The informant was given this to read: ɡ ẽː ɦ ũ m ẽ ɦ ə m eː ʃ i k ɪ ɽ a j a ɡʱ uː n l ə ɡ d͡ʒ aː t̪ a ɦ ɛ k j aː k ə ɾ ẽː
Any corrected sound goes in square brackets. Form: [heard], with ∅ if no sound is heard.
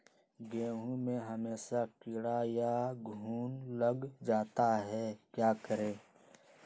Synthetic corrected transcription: ɡ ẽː ɦ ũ m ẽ ɦ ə m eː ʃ [a] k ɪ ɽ a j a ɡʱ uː n l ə ɡ d͡ʒ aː t̪ a ɦ ɛ k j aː k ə ɾ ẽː